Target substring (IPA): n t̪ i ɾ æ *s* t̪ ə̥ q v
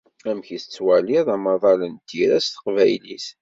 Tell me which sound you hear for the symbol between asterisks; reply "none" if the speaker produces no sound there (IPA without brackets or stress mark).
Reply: s